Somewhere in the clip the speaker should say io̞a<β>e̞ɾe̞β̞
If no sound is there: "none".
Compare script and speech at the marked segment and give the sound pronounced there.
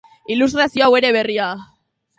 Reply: w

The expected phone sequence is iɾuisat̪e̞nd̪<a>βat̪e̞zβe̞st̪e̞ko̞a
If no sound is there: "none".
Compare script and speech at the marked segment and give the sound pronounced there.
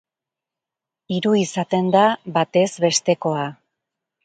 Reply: a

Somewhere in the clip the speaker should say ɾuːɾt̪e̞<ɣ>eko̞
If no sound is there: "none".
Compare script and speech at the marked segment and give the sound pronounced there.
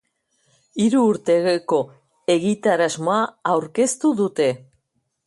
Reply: ɣ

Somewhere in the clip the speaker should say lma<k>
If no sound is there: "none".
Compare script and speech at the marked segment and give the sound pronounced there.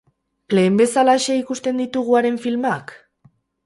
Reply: k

